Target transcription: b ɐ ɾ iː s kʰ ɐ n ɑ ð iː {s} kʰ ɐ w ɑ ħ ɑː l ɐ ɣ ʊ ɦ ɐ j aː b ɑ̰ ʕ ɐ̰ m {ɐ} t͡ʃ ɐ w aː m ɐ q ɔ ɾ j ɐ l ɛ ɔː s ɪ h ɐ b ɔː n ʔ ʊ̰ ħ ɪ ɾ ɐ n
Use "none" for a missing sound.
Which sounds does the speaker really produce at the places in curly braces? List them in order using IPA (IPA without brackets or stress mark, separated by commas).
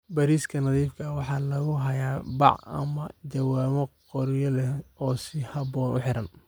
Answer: f, ɐ